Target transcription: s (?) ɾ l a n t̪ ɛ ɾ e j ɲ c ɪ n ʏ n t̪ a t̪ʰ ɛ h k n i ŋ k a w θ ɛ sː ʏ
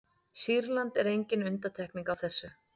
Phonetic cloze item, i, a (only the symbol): i